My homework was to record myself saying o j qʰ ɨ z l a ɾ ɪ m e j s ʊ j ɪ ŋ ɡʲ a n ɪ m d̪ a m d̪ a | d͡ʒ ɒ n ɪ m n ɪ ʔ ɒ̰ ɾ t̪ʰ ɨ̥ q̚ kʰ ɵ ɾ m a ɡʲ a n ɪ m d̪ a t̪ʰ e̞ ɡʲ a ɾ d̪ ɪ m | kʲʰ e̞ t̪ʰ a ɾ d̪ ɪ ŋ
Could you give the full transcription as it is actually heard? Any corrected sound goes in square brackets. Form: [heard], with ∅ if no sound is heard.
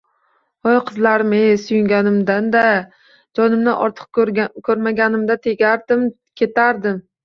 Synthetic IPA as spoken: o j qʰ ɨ z l a ɾ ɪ m e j s ʊ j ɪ ŋ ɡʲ a n ɪ m d̪ a [n] d̪ a | d͡ʒ ɒ n ɪ m n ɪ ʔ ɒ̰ ɾ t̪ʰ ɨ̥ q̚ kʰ ɵ ɾ m a ɡʲ a n ɪ m d̪ a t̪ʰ e̞ ɡʲ a ɾ d̪ ɪ m | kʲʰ e̞ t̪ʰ a ɾ d̪ ɪ [m]

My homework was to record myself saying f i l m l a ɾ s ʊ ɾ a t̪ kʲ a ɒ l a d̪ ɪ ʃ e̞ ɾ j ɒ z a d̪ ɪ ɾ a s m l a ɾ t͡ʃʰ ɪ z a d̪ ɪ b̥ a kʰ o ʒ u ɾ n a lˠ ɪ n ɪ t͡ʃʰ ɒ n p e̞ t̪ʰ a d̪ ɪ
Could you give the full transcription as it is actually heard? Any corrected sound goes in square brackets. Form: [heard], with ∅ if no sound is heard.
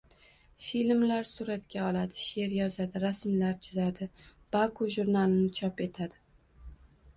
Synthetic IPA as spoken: f i l m l a ɾ s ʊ ɾ a t̪ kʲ a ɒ l a d̪ ɪ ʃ e̞ ɾ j ɒ z a d̪ ɪ ɾ a s m l a ɾ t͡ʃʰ ɪ z a d̪ ɪ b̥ a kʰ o ʒ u ɾ n a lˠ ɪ n ɪ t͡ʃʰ ɒ [∅] p e̞ t̪ʰ a d̪ ɪ

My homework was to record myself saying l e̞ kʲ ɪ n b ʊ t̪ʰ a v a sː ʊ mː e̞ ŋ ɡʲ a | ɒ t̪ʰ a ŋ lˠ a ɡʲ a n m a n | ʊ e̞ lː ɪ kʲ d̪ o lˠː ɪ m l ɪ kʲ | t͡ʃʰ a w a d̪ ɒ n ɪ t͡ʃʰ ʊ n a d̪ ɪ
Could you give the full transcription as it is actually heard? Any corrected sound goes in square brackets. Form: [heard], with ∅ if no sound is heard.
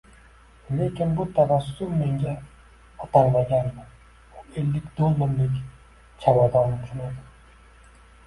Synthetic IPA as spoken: l e̞ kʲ ɪ n b ʊ t̪ʰ a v a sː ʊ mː e̞ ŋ ɡʲ a | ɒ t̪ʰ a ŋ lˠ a ɡʲ a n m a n | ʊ e̞ lː ɪ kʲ d̪ o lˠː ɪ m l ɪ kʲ | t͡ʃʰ a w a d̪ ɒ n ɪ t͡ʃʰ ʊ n a d̪ ɪ

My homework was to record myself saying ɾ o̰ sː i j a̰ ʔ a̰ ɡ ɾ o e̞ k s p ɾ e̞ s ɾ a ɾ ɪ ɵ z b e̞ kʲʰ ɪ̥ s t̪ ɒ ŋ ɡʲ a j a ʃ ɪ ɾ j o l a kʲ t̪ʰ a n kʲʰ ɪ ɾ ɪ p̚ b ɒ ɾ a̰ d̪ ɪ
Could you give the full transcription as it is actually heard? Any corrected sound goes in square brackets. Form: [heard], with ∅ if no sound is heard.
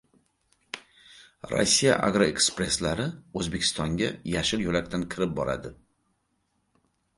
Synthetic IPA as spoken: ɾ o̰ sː i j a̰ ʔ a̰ ɡ ɾ o e̞ k s p ɾ e̞ s [l] a ɾ ɪ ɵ z b e̞ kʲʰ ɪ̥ s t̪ ɒ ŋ ɡʲ a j a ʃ ɪ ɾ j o l a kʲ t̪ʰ a n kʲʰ ɪ ɾ ɪ p̚ b ɒ ɾ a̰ d̪ ɪ

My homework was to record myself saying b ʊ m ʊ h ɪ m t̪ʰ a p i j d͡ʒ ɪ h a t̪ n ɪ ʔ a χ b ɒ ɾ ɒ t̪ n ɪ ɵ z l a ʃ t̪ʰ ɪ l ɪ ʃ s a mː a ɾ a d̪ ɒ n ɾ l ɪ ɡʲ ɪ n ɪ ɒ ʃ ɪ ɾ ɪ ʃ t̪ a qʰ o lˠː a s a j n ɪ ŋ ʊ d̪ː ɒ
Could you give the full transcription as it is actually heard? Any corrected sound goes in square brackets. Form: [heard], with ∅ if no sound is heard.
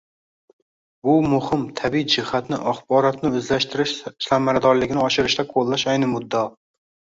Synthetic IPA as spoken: b ʊ m ʊ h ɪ m t̪ʰ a [b] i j d͡ʒ ɪ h a t̪ n ɪ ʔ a χ b ɒ ɾ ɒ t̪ n ɪ ɵ z l a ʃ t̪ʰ ɪ [ɾ] ɪ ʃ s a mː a ɾ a d̪ ɒ [∅] ɾ l ɪ ɡʲ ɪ n ɪ ɒ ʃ ɪ ɾ ɪ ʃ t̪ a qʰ o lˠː a [ʃ] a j n ɪ [m] ʊ d̪ː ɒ

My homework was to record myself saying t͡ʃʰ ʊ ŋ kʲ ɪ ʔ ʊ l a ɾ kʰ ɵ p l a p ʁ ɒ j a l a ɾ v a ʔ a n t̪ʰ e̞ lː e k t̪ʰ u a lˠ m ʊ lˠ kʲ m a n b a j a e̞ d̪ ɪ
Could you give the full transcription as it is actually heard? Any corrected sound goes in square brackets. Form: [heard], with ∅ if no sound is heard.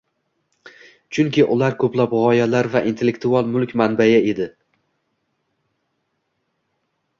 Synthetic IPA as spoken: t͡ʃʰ ʊ ŋ kʲ ɪ ʔ ʊ l a ɾ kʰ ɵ p l a p ʁ ɒ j a l a ɾ v a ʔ [i] n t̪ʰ e̞ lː e k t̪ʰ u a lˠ m ʊ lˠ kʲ m a n b a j a e̞ d̪ ɪ

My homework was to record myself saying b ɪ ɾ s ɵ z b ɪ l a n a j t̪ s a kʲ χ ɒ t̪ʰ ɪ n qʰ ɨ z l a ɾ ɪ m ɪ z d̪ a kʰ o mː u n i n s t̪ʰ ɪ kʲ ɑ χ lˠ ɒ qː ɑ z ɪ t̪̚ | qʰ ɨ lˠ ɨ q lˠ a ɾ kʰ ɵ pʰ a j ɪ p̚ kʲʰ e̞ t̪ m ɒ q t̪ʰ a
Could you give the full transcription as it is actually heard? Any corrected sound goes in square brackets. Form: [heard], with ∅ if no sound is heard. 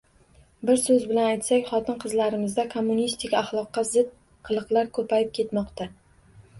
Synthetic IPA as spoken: b ɪ ɾ s ɵ z b ɪ l a n a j t̪ s a kʲ χ ɒ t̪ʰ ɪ n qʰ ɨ z l a ɾ ɪ m ɪ z d̪ a kʰ o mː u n i [∅] s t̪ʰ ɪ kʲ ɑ χ lˠ ɒ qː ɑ z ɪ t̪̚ | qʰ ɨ lˠ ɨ q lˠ a ɾ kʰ ɵ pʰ a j ɪ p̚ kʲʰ e̞ t̪ m ɒ q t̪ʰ a

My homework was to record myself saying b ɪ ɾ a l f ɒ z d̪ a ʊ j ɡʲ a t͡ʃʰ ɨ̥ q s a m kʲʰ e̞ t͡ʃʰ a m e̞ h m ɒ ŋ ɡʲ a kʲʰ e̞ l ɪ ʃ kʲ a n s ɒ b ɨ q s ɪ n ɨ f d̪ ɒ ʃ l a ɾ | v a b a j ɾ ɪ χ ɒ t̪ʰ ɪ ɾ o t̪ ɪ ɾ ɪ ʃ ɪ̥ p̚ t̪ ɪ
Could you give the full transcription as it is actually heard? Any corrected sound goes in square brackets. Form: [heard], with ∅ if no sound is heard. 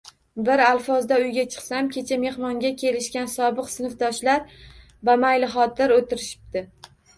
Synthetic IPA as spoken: b ɪ ɾ a l f ɒ z d̪ a ʊ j ɡʲ a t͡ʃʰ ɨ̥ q s a m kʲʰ e̞ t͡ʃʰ a m e̞ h m ɒ ŋ ɡʲ a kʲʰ e̞ l ɪ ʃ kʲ a n s ɒ b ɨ q s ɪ n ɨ f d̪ ɒ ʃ l a ɾ | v a [m] a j [l] ɪ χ ɒ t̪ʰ ɪ ɾ o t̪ ɪ ɾ ɪ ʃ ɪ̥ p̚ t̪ ɪ

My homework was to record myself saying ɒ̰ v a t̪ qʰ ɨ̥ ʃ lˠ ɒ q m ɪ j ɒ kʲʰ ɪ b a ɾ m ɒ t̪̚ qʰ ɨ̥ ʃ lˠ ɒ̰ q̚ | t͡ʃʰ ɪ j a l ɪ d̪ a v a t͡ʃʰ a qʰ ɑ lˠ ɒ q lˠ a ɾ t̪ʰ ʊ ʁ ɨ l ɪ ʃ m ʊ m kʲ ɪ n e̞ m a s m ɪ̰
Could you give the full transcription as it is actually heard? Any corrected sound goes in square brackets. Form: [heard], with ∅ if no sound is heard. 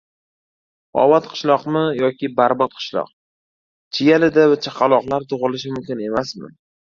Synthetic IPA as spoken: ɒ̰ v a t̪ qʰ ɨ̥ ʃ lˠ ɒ q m ɪ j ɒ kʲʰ ɪ b a ɾ [b] ɒ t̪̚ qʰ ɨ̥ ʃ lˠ ɒ̰ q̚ | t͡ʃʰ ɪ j a l ɪ d̪ a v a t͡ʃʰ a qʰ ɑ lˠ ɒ q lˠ a ɾ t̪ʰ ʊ ʁ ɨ l ɪ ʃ m ʊ m kʲ ɪ n e̞ m a s m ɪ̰

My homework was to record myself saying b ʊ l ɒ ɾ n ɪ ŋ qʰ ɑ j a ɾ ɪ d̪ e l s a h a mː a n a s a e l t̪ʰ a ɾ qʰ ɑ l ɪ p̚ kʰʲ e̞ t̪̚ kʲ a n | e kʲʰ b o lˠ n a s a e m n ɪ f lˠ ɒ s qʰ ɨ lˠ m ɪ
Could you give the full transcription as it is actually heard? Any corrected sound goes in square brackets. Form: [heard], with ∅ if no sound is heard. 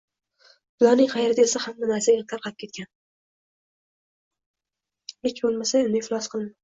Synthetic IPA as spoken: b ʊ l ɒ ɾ n ɪ ŋ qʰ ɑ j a ɾ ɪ d̪ e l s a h a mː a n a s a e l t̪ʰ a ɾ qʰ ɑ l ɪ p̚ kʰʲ e̞ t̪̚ kʲ a n | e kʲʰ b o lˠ [m] a s a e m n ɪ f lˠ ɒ s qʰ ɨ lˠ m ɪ

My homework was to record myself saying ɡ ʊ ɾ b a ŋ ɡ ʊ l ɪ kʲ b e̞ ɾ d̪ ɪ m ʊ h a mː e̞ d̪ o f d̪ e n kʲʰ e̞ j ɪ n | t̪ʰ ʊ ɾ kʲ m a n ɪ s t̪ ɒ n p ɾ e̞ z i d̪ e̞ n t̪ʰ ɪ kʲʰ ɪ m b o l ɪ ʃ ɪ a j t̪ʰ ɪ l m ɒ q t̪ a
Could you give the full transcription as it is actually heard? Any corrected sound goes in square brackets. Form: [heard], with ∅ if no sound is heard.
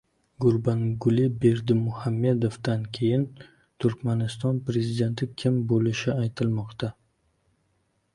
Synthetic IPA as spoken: ɡ ʊ ɾ b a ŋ ɡ ʊ l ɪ [∅] b e̞ ɾ d̪ ɪ m ʊ h a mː e̞ d̪ o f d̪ [a] n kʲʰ e̞ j ɪ n | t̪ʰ ʊ ɾ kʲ m a n ɪ s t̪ ɒ n p ɾ e̞ z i d̪ e̞ n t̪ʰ ɪ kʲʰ ɪ m b o l ɪ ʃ ɪ a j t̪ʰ ɪ l m ɒ q t̪ a

